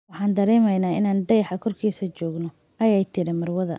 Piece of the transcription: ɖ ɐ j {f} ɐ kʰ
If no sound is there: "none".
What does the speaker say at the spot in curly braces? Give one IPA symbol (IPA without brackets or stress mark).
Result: ħ